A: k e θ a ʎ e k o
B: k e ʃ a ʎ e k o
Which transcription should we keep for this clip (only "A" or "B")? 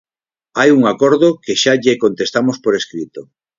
B